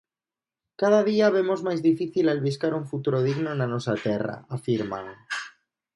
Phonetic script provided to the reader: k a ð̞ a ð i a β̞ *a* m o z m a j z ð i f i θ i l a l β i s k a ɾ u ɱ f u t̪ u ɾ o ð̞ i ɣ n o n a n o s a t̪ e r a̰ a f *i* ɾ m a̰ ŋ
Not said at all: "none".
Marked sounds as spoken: e, i

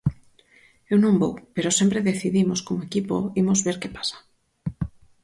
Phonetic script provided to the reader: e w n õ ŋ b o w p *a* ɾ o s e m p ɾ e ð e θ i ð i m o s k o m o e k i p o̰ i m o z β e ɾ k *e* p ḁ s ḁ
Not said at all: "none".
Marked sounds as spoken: e, e

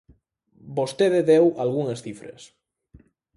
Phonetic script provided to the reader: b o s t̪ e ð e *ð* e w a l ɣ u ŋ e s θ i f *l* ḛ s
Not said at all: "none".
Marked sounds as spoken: ð, ɾ

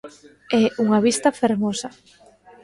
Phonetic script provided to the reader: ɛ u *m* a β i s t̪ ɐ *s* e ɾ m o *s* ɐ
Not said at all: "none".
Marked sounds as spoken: ŋ, f, s

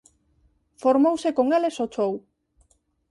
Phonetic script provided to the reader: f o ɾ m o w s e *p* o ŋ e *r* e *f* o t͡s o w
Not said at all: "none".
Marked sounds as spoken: k, l, s

